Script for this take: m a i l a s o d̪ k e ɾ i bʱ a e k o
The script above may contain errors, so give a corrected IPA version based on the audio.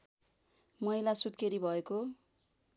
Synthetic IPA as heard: m ʌ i l a s u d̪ k e ɾ i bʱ ʌ e k o